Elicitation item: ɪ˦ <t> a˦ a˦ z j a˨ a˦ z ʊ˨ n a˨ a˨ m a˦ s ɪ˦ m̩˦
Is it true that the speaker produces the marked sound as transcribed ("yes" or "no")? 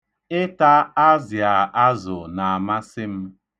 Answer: yes